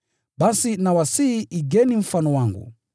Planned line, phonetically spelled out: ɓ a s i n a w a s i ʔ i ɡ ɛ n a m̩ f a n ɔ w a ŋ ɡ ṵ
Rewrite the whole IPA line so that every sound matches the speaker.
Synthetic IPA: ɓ a s i n a w a s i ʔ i ɡ ɛ n i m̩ f a n ɔ w a ŋ ɡ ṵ